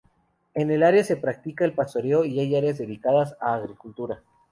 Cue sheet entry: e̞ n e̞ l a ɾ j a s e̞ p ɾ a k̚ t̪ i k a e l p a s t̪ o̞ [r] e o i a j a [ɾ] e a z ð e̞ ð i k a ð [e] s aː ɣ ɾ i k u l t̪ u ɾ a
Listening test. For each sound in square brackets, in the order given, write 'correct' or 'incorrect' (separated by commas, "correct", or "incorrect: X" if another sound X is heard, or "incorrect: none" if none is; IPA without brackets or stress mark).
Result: incorrect: ɾ, correct, incorrect: a